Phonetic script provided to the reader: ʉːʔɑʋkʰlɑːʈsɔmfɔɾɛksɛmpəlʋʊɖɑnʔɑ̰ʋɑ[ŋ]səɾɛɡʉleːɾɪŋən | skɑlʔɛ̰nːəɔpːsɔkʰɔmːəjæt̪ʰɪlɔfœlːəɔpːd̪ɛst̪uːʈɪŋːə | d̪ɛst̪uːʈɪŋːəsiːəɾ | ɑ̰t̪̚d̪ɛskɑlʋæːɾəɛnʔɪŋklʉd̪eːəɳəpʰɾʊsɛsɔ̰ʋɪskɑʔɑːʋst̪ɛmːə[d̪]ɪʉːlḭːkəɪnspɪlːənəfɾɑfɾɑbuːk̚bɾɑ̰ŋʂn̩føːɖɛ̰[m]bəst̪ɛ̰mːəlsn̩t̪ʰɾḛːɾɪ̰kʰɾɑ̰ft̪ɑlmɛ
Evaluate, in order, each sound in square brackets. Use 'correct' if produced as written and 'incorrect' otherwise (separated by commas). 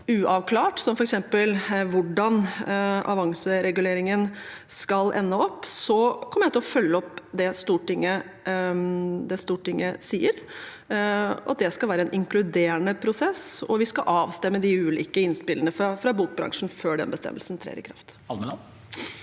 correct, correct, incorrect